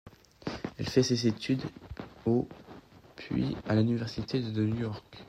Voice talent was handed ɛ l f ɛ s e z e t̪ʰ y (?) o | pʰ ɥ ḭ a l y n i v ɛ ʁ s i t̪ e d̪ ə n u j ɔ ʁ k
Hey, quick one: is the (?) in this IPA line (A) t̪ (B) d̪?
B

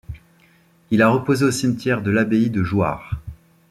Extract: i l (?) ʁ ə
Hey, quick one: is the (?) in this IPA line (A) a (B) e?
A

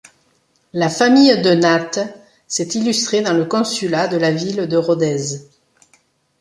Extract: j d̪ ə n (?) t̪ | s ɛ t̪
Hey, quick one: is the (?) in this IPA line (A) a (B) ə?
A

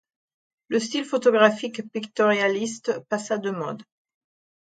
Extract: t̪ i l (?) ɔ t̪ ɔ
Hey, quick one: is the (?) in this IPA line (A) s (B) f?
B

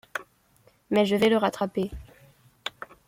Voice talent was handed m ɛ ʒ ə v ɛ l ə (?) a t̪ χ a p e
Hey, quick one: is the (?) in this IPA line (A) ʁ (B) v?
A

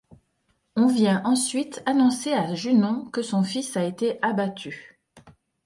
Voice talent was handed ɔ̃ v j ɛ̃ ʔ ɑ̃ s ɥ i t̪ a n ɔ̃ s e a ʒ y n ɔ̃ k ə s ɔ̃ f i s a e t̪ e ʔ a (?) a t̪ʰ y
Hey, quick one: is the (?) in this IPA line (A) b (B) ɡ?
A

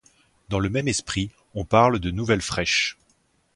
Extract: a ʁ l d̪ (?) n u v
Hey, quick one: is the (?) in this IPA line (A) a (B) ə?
B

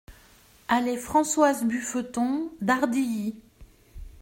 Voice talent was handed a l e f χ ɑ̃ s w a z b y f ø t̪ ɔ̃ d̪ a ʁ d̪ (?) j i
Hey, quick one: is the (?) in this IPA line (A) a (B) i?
B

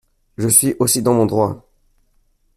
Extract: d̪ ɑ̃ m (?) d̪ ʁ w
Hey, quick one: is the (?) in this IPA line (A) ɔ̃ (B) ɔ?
A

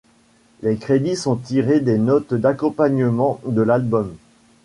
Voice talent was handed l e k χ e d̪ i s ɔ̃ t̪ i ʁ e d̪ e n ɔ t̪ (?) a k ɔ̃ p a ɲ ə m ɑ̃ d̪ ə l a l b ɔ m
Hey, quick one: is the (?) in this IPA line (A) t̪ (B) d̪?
B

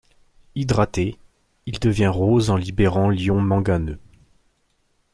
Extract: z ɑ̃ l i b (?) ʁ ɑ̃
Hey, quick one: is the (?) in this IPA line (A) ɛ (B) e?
B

